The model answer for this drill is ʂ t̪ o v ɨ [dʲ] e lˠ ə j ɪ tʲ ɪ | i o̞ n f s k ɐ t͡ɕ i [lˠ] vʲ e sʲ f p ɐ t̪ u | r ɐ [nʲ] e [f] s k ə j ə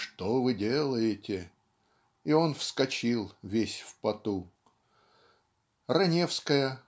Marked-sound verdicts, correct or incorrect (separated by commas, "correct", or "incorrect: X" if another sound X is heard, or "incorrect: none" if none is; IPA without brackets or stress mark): correct, correct, correct, correct